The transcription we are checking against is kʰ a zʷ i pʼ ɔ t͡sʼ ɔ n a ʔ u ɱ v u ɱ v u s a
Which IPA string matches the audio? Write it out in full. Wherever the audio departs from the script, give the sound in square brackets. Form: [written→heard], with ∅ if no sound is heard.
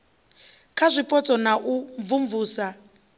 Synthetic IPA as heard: kʰ a zʷ i pʼ ɔ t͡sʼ ɔ n a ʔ u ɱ v u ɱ v [u→uː] s a